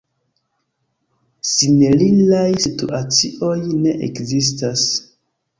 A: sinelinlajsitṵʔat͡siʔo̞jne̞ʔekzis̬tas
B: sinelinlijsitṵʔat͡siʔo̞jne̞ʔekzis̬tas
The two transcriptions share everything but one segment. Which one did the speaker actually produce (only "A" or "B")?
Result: A